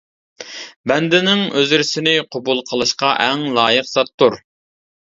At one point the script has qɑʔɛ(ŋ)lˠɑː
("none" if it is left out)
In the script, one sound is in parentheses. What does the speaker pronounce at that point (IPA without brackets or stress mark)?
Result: ŋ